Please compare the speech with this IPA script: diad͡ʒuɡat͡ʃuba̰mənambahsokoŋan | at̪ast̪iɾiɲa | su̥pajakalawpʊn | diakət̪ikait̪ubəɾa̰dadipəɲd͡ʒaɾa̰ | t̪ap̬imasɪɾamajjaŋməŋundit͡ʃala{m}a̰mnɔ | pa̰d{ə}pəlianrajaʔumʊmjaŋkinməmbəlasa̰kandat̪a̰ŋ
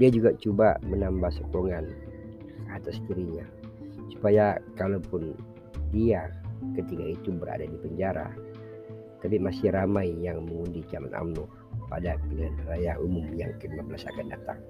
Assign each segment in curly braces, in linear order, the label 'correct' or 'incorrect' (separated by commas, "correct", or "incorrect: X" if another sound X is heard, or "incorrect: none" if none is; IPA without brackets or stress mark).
incorrect: n, incorrect: a